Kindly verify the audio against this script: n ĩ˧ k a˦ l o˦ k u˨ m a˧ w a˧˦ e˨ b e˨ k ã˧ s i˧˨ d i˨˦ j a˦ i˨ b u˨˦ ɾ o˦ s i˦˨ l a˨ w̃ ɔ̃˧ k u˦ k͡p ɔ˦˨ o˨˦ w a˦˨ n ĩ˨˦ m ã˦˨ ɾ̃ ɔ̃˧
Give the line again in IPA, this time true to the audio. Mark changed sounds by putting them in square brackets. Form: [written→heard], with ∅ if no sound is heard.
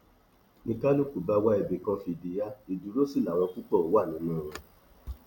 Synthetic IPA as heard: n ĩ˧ k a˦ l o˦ k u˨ [m→b] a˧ w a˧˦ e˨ b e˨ k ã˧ [s→f] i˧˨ d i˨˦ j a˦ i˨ [b→d] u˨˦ ɾ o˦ s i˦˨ l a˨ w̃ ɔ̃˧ k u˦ k͡p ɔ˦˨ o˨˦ w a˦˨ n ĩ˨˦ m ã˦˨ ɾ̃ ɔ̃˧